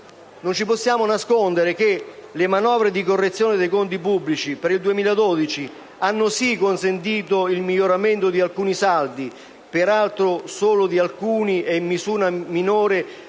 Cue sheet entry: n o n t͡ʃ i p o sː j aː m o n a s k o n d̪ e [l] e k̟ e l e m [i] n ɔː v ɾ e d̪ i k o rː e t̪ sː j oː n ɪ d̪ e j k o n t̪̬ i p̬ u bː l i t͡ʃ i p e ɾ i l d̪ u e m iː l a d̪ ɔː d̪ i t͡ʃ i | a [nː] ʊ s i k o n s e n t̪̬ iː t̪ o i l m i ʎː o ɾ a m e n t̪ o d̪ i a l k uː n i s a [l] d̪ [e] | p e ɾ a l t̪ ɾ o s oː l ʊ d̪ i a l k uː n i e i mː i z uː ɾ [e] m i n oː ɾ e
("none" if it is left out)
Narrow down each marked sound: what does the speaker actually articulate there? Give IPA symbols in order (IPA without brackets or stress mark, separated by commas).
ɾ, a, nː, l, i, a